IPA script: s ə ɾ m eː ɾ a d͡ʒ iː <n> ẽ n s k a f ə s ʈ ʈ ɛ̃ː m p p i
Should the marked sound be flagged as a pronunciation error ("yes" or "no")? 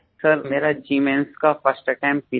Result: yes